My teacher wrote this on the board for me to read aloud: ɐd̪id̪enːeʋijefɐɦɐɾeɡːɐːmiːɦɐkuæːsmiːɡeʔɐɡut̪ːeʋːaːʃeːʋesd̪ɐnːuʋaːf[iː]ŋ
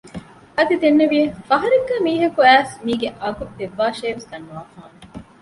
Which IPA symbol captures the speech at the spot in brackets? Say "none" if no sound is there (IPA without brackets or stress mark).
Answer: aː